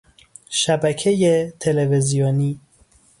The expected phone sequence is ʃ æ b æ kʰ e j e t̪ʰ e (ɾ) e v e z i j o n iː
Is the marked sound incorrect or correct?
incorrect